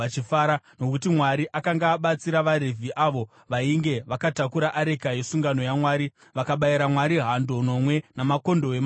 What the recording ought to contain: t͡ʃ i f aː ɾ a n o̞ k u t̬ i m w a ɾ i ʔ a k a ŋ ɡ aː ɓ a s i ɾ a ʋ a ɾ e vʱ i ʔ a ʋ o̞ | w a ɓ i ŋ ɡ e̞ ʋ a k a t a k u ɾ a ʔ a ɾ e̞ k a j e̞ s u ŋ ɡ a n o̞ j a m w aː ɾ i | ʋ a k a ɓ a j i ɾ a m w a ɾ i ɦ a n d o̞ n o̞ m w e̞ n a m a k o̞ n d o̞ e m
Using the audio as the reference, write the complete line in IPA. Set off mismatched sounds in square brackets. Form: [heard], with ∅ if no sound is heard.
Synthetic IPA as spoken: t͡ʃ i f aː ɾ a n o̞ k u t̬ i m w a ɾ i ʔ a k a ŋ ɡ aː ɓ a [t͡s] i ɾ a ʋ a ɾ e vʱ i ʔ a ʋ o̞ | [ʋ] a [∅] i ŋ ɡ e̞ ʋ a k a t a k u ɾ a ʔ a ɾ e̞ k a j e̞ s u ŋ ɡ a n o̞ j a m w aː ɾ i | ʋ a k a ɓ a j i ɾ a m w a ɾ i ɦ a n d o̞ n o̞ m w e̞ n a m a k o̞ n d o̞ e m